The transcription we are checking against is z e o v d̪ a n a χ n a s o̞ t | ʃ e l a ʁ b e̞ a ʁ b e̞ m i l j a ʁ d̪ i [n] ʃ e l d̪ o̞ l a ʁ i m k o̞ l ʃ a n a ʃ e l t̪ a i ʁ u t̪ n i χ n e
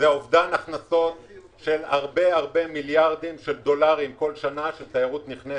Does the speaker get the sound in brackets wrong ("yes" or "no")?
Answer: yes